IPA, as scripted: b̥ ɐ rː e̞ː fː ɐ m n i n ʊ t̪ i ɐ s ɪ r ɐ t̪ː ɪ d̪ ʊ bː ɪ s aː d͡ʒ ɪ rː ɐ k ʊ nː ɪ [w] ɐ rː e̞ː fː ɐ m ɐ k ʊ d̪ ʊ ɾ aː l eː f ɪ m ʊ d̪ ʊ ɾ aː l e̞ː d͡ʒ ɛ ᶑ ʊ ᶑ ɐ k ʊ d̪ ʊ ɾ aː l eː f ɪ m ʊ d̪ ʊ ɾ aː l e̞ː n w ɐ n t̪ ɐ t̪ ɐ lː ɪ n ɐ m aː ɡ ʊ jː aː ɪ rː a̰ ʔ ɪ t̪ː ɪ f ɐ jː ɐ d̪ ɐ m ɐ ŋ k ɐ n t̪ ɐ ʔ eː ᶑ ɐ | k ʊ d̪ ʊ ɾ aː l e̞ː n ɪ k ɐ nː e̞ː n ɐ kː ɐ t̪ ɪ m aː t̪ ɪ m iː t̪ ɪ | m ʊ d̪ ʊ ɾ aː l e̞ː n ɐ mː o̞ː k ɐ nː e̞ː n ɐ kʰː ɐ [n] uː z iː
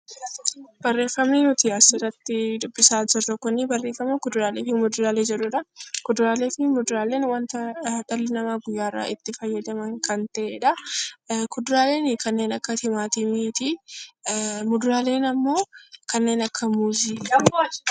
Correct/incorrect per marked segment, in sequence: incorrect: b, incorrect: m

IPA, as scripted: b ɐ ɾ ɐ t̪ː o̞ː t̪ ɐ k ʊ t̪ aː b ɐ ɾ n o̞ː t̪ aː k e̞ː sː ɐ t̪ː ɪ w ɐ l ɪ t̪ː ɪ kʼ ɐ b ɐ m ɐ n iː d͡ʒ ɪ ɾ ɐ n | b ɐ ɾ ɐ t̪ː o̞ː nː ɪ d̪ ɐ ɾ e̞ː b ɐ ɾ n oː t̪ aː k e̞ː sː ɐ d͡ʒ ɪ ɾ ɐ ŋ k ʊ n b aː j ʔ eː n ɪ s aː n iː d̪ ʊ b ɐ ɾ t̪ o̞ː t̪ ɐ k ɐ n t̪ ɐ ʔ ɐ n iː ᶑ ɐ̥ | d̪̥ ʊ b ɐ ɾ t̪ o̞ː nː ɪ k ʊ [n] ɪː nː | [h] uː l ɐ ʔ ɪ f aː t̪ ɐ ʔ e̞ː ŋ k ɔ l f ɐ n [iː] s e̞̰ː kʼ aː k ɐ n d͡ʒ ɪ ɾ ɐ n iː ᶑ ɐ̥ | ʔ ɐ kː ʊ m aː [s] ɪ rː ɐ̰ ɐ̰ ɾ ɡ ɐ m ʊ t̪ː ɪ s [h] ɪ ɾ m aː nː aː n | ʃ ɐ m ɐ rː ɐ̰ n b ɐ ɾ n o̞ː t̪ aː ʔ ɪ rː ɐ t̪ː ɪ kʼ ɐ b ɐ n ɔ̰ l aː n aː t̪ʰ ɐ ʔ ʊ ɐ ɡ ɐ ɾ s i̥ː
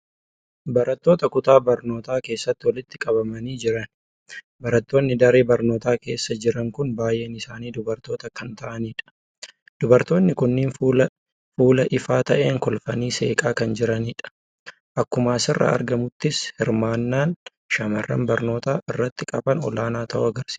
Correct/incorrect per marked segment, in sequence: incorrect: nː, incorrect: f, correct, correct, correct

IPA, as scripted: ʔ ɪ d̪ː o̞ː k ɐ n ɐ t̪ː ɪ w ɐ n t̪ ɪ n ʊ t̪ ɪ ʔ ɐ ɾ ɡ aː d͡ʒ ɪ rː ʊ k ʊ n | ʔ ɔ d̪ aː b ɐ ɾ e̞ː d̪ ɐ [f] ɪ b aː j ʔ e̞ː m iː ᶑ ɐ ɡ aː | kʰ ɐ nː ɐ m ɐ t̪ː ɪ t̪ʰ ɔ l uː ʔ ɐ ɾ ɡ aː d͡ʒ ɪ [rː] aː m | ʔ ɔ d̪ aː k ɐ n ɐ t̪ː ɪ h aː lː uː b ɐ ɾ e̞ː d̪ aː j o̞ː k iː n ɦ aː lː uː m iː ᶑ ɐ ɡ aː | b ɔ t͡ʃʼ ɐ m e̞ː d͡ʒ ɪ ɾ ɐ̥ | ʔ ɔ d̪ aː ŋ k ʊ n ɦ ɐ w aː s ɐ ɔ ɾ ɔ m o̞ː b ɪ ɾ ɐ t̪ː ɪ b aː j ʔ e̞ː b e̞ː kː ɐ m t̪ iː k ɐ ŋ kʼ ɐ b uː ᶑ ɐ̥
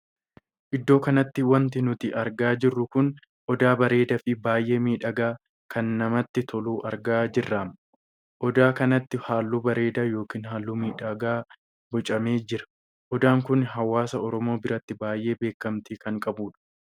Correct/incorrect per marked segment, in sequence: correct, correct

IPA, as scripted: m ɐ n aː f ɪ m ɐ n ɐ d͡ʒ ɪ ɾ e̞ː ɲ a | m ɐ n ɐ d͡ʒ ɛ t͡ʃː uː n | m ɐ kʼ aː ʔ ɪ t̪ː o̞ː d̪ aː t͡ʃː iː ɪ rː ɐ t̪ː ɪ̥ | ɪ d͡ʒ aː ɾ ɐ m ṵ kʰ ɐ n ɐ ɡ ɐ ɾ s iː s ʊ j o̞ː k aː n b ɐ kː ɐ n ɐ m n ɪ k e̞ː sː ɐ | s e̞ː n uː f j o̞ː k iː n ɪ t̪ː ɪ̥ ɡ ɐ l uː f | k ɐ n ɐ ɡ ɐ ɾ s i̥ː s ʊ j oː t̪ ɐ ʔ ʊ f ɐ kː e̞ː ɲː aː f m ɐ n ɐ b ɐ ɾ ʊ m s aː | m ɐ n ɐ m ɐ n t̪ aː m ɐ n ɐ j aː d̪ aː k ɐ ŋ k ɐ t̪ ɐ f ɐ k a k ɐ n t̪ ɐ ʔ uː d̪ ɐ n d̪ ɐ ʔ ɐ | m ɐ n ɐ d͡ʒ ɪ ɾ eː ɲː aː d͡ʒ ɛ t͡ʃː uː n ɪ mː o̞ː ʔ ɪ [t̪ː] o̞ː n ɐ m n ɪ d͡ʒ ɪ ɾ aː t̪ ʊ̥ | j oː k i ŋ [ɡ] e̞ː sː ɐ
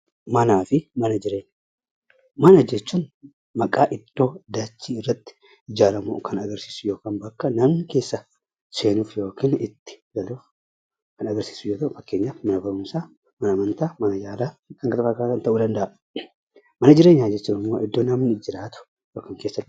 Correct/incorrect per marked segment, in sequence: incorrect: d̪ː, incorrect: k

